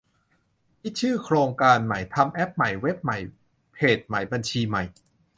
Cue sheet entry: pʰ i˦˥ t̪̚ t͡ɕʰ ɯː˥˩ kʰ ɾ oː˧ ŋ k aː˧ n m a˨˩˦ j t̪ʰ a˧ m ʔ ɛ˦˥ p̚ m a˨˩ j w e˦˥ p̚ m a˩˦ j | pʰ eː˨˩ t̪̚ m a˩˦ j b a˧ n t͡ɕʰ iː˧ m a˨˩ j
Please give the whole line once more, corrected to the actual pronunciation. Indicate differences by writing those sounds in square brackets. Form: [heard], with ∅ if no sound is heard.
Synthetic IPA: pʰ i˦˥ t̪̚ t͡ɕʰ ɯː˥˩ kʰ ɾ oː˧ ŋ k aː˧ n m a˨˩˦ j t̪ʰ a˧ m ʔ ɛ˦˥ p̚ m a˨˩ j w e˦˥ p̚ m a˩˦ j | pʰ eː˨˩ t̪̚ m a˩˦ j b a˧ n t͡ɕʰ iː˧ m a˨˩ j